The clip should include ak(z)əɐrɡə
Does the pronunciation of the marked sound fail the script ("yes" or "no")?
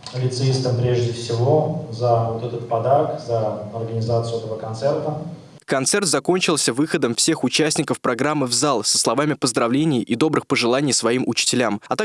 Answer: no